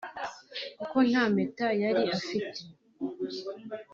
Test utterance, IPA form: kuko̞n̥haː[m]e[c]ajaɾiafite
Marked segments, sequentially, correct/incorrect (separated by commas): correct, incorrect